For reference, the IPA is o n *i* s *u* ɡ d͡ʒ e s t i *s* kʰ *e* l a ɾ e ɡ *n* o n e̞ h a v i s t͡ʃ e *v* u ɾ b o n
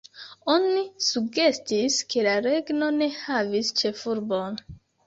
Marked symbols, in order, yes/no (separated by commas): yes, yes, yes, yes, yes, no